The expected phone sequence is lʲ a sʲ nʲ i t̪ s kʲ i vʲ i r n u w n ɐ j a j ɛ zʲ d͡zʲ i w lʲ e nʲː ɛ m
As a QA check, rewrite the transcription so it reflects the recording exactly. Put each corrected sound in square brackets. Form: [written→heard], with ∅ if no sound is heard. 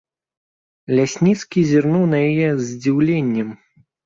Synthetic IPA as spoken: lʲ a sʲ nʲ i t̪ s kʲ i [vʲ→zʲ] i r n u w n ɐ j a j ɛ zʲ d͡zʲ i w lʲ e nʲː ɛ m